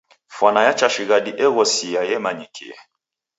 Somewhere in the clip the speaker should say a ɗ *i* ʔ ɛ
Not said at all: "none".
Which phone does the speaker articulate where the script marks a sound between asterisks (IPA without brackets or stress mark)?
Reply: i